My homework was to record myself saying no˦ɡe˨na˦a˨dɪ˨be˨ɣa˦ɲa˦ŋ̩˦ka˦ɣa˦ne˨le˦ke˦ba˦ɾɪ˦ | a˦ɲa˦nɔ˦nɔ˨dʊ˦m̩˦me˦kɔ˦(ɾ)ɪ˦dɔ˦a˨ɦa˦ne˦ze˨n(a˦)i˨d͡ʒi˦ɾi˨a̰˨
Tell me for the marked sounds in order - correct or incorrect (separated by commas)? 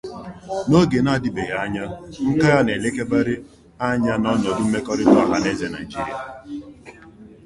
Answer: correct, incorrect